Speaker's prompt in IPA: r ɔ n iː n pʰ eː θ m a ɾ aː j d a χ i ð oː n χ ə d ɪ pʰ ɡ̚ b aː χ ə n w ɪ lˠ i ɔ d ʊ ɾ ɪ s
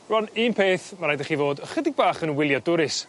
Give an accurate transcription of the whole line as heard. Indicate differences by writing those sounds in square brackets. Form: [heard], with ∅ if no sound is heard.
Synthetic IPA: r ɔ n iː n pʰ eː θ m a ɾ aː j d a χ i [v] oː [d] χ ə d ɪ [∅] ɡ̚ b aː χ ə n w ɪ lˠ [j] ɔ d ʊ ɾ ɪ s